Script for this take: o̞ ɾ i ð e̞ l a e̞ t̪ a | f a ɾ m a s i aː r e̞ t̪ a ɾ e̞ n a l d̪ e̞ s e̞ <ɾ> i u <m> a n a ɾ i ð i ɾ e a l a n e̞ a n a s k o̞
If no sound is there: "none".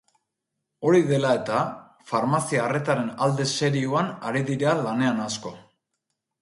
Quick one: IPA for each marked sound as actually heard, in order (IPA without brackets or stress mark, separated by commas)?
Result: ɾ, none